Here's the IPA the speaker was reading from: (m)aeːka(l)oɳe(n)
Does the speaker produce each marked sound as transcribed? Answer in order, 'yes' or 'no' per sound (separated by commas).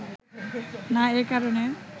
no, no, no